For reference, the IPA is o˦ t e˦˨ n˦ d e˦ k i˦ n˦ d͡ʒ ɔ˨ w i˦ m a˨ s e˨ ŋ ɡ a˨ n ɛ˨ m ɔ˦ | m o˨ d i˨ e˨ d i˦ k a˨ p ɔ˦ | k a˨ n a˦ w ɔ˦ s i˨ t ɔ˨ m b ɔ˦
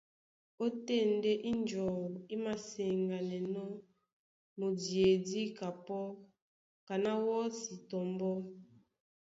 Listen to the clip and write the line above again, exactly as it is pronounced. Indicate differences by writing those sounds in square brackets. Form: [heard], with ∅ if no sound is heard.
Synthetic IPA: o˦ t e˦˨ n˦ d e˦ [ʔ] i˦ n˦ d͡ʒ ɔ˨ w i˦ m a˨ s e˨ ŋ ɡ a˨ n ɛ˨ [n] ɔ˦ | m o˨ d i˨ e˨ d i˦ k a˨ p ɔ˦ | k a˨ n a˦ w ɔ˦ s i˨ t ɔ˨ m b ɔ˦